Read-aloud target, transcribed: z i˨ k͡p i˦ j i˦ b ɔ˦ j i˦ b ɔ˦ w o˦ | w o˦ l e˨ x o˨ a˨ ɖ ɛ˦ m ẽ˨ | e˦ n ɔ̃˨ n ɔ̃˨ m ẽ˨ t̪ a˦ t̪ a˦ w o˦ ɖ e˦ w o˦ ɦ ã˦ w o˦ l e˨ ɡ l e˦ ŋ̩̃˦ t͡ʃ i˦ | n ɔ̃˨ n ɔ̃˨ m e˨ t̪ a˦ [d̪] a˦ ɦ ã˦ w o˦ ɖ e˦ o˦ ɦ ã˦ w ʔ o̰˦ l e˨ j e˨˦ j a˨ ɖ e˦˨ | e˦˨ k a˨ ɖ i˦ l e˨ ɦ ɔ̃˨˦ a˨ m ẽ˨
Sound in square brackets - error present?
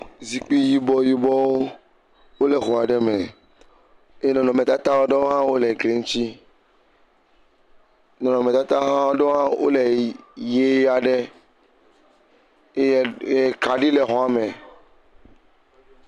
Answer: yes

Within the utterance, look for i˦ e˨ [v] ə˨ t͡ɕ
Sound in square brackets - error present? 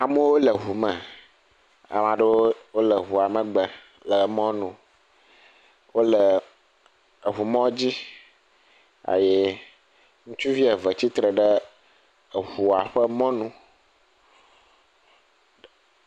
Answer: no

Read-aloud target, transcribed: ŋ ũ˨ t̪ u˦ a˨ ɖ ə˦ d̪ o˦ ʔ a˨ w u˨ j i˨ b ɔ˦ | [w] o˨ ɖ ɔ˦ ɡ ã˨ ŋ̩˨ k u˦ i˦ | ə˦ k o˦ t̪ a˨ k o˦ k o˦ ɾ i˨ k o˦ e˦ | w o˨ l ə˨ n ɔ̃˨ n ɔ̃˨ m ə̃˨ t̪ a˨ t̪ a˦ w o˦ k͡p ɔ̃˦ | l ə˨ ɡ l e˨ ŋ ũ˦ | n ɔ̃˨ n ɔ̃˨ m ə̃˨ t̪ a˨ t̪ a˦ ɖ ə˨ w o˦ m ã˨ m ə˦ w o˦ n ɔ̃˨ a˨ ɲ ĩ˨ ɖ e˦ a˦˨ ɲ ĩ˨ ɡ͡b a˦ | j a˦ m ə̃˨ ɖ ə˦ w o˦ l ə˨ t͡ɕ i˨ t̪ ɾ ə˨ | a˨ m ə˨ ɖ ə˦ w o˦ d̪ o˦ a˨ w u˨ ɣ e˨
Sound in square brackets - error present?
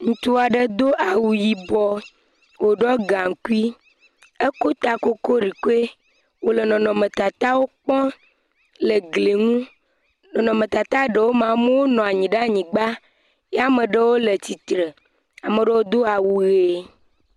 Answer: no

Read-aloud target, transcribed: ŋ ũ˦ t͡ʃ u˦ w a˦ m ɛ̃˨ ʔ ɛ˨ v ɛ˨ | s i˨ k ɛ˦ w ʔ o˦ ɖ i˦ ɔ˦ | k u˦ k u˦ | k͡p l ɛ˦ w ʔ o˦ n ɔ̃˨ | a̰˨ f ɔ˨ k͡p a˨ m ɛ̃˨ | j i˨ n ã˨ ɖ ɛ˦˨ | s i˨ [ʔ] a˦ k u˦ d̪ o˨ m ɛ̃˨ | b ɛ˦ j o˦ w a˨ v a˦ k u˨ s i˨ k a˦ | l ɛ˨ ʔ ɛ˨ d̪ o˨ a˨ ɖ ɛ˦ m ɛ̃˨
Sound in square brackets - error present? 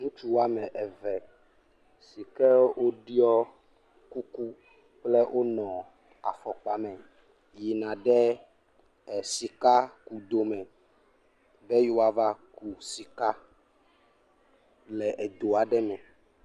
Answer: yes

